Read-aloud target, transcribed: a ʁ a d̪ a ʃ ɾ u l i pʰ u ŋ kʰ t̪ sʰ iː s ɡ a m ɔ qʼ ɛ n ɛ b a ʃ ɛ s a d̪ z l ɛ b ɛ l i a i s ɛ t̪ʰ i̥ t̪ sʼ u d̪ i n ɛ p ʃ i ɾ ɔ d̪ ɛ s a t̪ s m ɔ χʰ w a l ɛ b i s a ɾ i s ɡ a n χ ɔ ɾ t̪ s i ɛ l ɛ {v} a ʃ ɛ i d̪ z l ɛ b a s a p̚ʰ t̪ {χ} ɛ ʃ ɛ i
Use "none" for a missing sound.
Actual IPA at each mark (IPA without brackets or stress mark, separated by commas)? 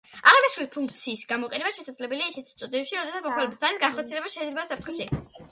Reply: b, χ